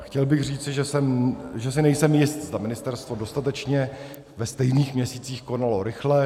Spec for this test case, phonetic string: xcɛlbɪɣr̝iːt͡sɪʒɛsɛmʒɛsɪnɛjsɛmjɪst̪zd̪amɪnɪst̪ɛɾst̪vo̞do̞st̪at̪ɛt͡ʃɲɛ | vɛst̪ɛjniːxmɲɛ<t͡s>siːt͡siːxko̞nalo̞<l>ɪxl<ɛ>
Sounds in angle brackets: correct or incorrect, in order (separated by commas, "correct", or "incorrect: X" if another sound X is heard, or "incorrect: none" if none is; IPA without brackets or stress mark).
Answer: incorrect: none, incorrect: ɾ, correct